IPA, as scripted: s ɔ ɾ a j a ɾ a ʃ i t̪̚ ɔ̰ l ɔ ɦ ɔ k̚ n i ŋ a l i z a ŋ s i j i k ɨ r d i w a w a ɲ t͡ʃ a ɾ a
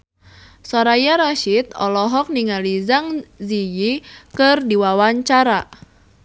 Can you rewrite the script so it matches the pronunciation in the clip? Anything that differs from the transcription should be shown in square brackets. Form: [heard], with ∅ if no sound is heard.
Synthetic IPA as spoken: s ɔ ɾ a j a ɾ a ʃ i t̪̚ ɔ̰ l ɔ ɦ ɔ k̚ n i ŋ a l i z a ŋ [z] i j i k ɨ r d i w a w a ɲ t͡ʃ a ɾ a